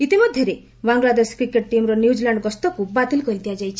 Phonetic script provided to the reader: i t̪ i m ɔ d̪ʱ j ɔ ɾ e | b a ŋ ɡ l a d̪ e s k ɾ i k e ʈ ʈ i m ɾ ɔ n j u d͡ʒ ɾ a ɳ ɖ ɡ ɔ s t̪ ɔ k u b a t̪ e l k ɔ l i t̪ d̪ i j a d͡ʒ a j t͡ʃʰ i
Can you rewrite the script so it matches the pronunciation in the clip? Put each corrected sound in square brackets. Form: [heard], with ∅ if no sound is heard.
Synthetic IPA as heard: i t̪ i m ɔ d̪ʱ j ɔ ɾ e | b a ŋ ɡ l a d̪ e s k ɾ i k e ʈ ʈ i m ɾ ɔ n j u d͡ʒ [l] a ɳ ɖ ɡ ɔ s t̪ ɔ k u b a t̪ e l k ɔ [ɾ] i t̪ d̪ i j a d͡ʒ a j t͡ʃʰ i